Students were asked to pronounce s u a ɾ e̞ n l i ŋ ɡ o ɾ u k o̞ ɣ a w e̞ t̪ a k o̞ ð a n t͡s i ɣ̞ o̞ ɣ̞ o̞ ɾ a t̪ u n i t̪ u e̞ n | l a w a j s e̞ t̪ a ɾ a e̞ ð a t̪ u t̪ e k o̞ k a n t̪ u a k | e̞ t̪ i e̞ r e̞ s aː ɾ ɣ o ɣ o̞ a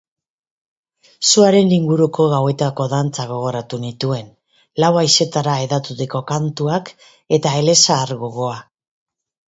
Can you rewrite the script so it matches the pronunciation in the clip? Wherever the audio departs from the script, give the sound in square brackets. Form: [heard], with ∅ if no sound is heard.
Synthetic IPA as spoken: s u a ɾ e̞ n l i ŋ ɡ [u] ɾ u k o̞ ɣ a w e̞ t̪ a k o̞ ð a n t͡s [a] ɣ̞ o̞ ɣ̞ o̞ ɾ a t̪ u n i t̪ u e̞ n | l a w a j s e̞ t̪ a ɾ a e̞ ð a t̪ u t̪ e k o̞ k a n t̪ u a k | e̞ t̪ [a] e̞ [l] e̞ s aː ɾ ɣ o ɣ o̞ a